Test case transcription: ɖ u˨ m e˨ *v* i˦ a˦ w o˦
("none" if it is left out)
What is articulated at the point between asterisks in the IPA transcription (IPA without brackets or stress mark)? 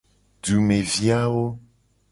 v